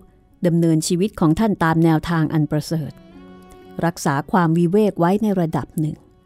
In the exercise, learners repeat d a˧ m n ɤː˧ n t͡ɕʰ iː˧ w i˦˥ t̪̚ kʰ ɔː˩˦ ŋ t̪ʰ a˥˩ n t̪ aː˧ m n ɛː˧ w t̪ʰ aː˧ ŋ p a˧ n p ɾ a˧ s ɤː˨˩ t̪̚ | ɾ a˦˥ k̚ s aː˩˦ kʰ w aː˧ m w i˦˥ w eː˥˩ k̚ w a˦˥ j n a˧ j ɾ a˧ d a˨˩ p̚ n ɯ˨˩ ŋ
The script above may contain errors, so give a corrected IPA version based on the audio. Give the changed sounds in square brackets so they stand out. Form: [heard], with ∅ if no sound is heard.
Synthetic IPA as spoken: d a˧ m n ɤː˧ n t͡ɕʰ iː˧ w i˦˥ t̪̚ kʰ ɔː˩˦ ŋ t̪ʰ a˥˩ n t̪ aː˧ m n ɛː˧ w t̪ʰ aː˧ ŋ [ʔ] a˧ n p ɾ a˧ s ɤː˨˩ t̪̚ | ɾ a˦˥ k̚ s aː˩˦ kʰ w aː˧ m w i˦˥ w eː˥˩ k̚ w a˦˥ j n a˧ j ɾ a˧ d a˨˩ p̚ n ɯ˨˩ ŋ